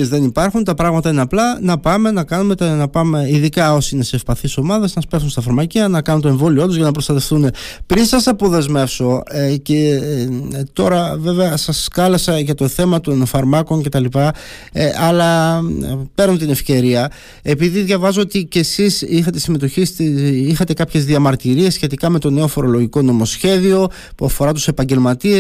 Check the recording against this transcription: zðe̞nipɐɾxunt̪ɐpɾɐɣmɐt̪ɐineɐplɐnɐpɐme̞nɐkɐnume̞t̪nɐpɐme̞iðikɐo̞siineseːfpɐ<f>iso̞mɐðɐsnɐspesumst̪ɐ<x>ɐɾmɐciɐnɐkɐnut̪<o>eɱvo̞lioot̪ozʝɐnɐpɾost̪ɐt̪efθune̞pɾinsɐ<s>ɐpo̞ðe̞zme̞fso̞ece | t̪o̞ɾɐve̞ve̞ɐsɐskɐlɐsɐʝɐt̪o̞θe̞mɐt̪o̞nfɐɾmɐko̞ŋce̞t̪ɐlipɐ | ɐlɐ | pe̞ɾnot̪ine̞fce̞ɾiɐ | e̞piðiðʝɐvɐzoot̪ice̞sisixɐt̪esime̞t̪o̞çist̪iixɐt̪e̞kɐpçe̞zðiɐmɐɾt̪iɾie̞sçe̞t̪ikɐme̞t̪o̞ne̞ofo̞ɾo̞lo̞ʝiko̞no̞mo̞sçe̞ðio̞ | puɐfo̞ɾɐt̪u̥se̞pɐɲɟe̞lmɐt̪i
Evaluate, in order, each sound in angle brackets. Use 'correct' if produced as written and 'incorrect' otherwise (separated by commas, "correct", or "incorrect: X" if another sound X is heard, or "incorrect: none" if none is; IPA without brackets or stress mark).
incorrect: θ, incorrect: f, correct, correct